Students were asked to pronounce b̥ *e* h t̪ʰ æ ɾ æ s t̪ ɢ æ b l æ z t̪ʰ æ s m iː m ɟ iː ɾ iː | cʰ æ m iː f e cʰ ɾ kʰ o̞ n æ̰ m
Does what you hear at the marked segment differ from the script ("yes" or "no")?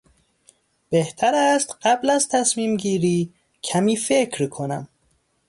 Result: no